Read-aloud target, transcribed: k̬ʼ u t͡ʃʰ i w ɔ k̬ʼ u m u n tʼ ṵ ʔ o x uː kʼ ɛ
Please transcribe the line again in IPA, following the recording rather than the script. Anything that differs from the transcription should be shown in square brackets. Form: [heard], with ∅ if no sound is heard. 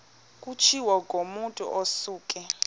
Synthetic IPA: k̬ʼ u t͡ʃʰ i w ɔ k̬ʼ [o] m u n tʼ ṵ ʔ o [s] uː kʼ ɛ